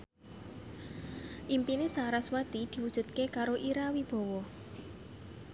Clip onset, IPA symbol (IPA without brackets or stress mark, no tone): ʔ